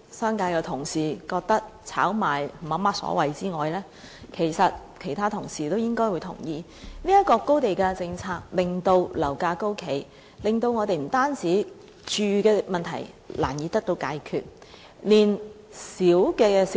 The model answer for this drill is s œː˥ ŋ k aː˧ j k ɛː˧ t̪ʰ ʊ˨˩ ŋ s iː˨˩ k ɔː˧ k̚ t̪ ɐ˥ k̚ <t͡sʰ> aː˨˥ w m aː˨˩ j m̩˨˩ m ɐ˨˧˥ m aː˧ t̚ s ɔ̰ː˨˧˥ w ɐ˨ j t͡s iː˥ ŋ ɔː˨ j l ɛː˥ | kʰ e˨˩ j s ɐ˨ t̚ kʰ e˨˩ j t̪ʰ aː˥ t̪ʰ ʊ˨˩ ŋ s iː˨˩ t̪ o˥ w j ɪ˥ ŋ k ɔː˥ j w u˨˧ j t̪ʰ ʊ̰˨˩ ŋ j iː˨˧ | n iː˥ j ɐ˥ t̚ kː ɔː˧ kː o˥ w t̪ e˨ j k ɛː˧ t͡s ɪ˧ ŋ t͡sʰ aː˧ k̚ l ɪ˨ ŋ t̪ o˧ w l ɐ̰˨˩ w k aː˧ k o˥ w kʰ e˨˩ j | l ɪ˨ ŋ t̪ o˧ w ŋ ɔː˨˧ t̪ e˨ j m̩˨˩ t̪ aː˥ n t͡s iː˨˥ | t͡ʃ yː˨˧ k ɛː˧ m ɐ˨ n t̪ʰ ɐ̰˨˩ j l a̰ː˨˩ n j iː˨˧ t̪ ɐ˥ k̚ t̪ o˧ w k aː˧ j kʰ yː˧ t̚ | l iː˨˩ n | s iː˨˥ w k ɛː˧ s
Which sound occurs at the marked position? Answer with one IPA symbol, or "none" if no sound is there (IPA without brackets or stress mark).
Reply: t͡sʰ